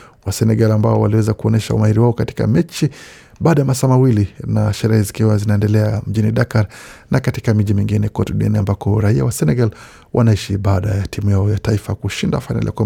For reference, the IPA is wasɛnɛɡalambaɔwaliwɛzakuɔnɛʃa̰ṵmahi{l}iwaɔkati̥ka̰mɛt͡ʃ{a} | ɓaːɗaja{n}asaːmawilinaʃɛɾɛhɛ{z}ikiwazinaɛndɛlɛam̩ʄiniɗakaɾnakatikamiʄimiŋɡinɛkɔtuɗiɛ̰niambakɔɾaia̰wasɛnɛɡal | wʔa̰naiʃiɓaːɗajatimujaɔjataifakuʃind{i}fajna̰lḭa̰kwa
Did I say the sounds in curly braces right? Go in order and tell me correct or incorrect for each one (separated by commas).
incorrect, incorrect, incorrect, correct, incorrect